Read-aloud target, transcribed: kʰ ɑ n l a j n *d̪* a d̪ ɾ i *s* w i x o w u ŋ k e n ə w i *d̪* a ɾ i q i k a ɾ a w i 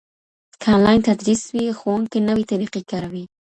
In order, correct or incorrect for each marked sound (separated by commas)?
incorrect, correct, incorrect